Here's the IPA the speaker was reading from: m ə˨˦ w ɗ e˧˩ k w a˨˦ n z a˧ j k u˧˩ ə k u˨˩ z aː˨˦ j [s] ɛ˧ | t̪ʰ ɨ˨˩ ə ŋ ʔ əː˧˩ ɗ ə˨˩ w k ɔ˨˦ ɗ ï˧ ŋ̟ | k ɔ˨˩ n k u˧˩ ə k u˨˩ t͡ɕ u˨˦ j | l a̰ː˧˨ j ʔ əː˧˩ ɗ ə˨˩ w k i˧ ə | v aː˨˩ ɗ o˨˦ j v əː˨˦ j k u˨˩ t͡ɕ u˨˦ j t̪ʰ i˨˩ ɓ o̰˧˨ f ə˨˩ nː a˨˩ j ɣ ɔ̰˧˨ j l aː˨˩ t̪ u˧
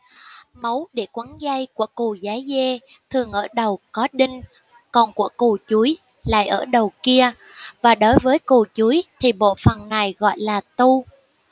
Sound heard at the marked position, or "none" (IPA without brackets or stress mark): z